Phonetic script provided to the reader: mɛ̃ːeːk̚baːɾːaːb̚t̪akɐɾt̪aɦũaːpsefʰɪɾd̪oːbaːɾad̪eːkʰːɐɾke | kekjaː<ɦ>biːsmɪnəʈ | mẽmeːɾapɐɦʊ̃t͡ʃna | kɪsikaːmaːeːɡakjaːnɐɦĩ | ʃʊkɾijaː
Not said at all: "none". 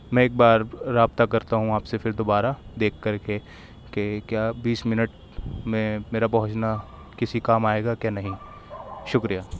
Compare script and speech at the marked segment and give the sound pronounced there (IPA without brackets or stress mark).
none